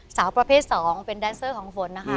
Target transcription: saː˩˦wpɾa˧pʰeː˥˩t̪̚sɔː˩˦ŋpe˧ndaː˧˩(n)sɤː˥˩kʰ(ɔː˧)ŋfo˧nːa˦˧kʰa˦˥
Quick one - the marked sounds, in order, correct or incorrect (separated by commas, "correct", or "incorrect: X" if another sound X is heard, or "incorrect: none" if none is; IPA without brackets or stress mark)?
correct, incorrect: ɔː˩˦